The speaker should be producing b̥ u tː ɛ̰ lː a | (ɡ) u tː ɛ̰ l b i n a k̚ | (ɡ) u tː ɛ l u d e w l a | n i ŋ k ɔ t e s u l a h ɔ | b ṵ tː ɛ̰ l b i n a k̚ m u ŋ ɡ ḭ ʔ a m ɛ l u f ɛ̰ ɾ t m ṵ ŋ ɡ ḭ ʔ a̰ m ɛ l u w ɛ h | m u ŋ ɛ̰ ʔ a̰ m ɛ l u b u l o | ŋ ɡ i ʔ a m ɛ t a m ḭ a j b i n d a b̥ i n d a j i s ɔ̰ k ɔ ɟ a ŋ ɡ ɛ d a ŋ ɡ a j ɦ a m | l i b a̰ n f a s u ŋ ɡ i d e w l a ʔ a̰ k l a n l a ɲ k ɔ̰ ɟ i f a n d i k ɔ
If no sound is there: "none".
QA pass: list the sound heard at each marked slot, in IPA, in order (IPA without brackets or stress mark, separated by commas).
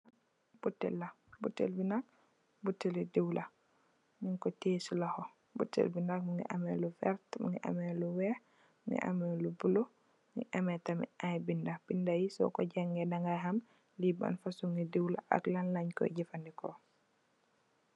b, b